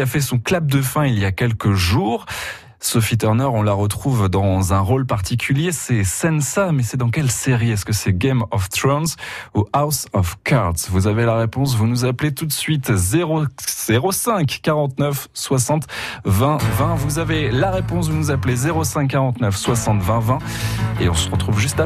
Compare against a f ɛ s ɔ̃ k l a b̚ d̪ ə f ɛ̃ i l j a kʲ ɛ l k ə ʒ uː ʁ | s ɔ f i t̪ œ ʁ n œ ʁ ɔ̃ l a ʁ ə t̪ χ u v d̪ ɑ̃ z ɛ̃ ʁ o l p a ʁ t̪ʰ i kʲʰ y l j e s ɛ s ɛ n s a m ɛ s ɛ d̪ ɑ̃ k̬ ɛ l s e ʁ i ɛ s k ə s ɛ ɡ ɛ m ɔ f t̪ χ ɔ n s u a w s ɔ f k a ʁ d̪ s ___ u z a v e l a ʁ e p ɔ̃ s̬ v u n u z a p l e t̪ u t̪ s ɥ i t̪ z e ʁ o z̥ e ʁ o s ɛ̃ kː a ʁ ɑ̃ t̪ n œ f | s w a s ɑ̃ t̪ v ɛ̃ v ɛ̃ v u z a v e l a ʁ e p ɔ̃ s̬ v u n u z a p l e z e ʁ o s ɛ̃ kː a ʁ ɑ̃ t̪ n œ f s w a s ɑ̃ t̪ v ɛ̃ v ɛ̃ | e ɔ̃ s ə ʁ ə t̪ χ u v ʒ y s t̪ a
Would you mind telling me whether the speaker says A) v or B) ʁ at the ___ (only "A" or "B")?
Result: A